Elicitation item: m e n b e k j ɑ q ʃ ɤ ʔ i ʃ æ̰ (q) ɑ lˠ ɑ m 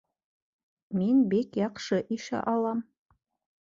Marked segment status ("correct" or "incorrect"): incorrect